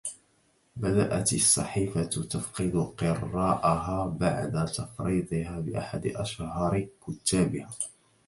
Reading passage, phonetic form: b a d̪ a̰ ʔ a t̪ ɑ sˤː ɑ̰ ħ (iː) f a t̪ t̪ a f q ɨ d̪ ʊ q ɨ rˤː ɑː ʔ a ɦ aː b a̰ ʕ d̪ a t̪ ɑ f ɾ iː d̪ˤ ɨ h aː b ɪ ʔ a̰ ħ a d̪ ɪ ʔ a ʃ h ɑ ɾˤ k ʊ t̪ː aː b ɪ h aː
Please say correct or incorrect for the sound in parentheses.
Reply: correct